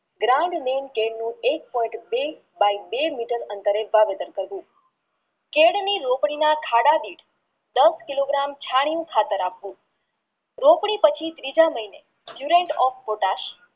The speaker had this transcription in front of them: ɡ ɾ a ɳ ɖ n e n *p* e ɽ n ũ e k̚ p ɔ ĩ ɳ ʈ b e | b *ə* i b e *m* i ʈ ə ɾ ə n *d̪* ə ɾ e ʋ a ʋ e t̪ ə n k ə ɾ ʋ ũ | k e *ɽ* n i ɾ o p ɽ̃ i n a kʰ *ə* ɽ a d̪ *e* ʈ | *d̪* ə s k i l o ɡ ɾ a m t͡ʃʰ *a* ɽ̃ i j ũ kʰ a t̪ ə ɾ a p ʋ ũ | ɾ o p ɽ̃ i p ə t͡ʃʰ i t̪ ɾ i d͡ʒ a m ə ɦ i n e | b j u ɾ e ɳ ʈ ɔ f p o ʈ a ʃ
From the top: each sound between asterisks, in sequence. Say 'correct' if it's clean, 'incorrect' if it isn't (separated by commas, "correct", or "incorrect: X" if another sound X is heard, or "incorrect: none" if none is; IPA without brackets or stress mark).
incorrect: k, incorrect: a, correct, incorrect: t̪, correct, incorrect: a, incorrect: i, correct, correct